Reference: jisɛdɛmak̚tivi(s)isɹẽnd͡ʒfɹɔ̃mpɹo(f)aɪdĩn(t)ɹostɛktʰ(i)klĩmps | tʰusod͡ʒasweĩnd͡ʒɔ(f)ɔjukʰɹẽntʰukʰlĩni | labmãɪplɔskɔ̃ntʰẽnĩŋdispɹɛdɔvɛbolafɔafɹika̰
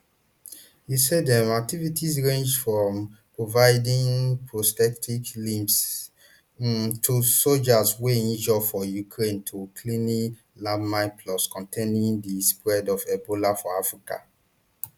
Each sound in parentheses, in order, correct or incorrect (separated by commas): incorrect, incorrect, incorrect, correct, correct